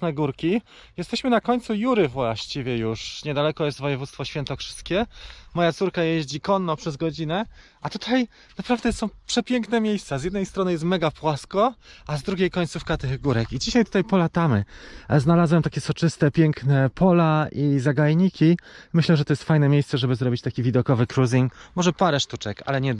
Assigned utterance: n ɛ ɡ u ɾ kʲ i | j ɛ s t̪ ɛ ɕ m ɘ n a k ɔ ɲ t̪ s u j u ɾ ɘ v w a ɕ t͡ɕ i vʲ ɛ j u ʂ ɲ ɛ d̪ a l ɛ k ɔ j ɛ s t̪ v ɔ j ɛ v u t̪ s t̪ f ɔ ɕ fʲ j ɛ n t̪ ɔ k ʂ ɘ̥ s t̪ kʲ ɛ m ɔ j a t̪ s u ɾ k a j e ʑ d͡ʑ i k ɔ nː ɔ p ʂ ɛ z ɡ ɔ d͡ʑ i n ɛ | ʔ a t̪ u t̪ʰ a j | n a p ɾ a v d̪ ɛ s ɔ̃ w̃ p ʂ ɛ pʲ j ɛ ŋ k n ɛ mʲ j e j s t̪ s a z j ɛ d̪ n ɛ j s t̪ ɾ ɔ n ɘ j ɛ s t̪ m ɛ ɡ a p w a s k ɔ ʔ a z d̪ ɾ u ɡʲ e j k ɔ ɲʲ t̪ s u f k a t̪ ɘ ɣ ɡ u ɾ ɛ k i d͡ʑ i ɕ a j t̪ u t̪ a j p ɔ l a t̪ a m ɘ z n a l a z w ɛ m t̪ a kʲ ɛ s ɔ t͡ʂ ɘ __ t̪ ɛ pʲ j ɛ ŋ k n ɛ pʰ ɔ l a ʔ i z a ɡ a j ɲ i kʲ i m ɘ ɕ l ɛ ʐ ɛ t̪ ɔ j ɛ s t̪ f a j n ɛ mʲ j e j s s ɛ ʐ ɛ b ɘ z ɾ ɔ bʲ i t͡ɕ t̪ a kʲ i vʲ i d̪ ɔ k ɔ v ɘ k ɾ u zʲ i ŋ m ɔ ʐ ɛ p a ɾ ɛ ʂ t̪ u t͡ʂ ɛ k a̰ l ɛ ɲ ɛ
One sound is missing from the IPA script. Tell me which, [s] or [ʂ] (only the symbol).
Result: s